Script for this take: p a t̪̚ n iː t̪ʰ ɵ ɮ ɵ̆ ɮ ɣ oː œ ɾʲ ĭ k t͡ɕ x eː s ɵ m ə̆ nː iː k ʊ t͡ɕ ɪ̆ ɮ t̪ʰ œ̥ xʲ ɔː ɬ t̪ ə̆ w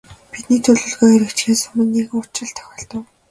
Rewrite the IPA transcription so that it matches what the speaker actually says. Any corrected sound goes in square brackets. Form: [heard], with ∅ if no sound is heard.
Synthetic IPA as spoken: p [i] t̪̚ n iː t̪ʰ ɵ ɮ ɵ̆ ɮ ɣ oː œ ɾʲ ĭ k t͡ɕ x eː s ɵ m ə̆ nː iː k ʊ t͡ɕ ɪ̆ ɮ t̪ʰ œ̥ xʲ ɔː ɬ t̪ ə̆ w